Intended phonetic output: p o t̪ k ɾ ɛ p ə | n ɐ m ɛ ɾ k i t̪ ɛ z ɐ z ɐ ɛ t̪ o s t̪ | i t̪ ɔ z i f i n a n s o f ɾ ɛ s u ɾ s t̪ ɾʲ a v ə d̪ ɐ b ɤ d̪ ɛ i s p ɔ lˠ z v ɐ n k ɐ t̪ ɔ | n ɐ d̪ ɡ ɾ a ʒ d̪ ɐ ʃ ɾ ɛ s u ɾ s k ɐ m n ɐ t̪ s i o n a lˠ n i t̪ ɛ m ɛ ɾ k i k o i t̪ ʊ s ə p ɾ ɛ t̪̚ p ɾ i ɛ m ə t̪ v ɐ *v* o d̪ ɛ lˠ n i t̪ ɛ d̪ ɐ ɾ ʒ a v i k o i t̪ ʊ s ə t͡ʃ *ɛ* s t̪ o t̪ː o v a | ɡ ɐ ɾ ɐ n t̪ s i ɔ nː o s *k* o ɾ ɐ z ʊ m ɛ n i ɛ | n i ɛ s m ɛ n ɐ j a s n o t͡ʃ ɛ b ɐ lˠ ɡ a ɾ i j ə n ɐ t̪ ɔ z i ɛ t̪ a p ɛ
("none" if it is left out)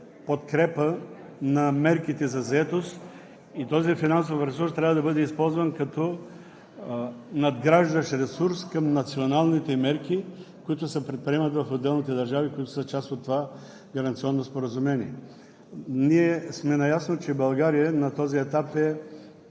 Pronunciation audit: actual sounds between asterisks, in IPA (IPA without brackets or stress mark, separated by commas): f, a, p